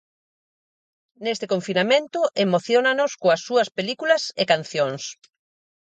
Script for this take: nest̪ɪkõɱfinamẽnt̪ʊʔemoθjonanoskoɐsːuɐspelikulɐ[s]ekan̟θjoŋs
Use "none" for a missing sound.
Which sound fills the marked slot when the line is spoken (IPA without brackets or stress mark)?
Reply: s